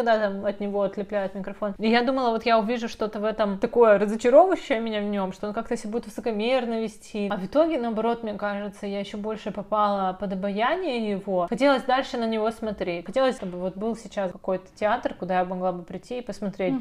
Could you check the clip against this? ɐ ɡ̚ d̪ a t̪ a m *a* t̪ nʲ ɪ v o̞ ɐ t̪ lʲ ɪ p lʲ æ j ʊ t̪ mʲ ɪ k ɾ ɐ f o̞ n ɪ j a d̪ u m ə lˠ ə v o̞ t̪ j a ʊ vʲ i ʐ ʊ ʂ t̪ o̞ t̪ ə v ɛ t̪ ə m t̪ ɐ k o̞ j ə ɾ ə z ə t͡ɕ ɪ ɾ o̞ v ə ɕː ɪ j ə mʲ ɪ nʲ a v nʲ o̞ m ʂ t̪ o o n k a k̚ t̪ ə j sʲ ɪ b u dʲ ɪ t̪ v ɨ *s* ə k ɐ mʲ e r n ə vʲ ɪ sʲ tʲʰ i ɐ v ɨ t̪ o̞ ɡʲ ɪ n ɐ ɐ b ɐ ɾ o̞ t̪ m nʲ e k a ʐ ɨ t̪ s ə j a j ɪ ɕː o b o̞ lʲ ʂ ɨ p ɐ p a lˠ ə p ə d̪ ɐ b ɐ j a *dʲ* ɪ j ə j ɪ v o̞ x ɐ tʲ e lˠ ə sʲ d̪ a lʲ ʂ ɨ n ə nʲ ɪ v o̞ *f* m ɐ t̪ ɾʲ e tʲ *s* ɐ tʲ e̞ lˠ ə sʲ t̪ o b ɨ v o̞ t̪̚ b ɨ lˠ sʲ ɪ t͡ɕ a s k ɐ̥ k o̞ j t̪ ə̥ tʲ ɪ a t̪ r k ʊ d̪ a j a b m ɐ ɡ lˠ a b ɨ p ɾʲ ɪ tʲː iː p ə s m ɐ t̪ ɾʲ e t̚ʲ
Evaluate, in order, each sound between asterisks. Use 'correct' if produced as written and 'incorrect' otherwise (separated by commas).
incorrect, correct, incorrect, incorrect, incorrect